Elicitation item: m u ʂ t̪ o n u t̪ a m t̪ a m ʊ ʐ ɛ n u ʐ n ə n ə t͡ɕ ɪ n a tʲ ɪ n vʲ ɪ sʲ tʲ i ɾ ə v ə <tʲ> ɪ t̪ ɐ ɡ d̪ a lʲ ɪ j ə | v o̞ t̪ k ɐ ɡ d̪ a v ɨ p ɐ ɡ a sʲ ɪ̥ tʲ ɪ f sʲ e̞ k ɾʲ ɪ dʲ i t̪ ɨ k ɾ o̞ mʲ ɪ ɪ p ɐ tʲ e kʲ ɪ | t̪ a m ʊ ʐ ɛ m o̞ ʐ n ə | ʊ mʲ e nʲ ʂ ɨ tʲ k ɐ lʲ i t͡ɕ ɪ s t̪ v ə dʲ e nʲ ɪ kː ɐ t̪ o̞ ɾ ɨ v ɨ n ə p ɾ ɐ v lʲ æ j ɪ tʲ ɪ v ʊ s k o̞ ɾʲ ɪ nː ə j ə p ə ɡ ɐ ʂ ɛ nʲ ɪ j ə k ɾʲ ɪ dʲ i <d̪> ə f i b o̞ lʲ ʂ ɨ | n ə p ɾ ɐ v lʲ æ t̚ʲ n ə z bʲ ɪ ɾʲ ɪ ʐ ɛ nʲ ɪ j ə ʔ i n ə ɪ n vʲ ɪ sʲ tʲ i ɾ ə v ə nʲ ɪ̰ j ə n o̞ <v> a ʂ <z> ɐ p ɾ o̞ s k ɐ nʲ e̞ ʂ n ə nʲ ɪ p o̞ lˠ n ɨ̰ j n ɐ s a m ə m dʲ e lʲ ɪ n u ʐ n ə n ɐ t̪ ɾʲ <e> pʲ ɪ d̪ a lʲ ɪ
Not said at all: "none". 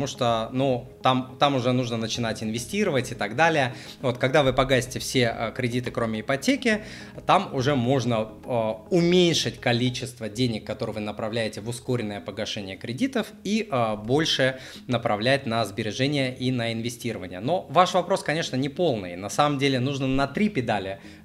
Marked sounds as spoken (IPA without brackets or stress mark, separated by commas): tʲ, t̪, v, v, i